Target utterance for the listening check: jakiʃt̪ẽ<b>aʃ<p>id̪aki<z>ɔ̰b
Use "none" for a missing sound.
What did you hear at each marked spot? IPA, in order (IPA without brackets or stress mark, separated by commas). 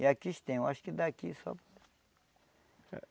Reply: w, k, s